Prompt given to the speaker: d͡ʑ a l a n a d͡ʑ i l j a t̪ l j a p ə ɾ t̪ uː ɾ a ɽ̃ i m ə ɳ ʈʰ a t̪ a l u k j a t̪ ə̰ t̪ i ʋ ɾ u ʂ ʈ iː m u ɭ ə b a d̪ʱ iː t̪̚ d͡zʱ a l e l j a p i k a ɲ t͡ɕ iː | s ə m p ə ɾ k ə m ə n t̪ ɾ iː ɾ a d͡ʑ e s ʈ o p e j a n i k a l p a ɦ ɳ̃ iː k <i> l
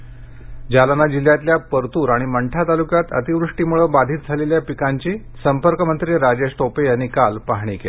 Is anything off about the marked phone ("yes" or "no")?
yes